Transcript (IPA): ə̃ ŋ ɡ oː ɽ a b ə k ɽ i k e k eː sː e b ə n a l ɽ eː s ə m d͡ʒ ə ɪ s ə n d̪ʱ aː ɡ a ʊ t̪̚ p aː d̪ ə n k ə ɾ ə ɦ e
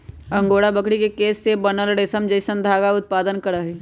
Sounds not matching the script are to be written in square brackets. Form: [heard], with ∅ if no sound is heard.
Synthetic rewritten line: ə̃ ŋ ɡ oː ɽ a b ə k ɽ i k e k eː sː e b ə n [ə] l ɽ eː s ə m d͡ʒ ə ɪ s ə n d̪ʱ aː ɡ a ʊ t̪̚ p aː d̪ ə n k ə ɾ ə ɦ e

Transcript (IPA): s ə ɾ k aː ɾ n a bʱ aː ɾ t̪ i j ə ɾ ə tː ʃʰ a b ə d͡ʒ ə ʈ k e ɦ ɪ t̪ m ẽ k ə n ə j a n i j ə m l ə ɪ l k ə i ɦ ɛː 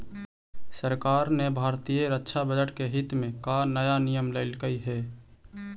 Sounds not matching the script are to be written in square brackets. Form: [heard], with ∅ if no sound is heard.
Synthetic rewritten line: s ə ɾ k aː ɾ n [e] bʱ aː ɾ t̪ i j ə ɾ ə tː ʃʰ a b ə d͡ʒ ə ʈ k e ɦ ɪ t̪ m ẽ k [a] n ə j a n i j ə m l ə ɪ l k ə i ɦ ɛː

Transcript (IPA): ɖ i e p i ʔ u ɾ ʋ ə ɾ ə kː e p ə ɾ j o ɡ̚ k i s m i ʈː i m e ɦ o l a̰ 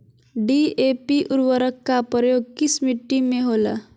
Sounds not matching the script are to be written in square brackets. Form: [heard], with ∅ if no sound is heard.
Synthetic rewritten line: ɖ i e p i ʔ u ɾ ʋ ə ɾ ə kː [a] p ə ɾ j o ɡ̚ k i s m i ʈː i m e ɦ o l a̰

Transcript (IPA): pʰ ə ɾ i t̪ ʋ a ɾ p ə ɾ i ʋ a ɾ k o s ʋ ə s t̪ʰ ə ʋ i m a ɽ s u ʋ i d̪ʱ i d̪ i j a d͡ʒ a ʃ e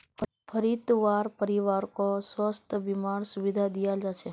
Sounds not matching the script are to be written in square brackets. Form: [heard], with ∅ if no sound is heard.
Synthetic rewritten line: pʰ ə ɾ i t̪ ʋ a ɾ p ə ɾ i ʋ a ɾ k o s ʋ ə s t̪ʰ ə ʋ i m a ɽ s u ʋ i d̪ʱ [a] d̪ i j a d͡ʒ a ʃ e

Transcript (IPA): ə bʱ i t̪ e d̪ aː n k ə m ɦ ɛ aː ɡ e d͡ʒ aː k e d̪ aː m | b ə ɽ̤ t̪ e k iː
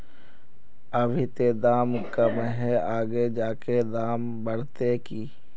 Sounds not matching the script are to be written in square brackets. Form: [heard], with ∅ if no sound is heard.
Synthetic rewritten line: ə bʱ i t̪ e d̪ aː [m] k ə m ɦ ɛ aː ɡ e d͡ʒ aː k e d̪ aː m | b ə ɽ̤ t̪ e k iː

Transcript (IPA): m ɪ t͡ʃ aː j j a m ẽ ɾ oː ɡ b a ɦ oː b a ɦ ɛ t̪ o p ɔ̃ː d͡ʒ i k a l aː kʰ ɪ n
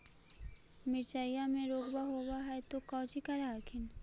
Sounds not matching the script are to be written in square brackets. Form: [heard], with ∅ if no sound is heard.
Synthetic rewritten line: m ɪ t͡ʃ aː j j a m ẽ ɾ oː ɡ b a ɦ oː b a ɦ ɛ t̪ o [k] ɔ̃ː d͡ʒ i k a [ɾ] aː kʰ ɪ n

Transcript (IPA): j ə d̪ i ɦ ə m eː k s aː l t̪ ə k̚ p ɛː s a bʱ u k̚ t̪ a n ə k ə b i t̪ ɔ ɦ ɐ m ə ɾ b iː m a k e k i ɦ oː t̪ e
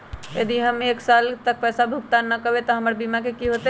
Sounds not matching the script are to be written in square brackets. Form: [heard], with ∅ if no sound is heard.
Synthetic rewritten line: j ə d̪ i ɦ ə m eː k s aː l t̪ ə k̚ p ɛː s a bʱ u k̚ t̪ a n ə k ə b [e] t̪ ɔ ɦ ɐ m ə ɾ b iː m a k e k i ɦ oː t̪ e

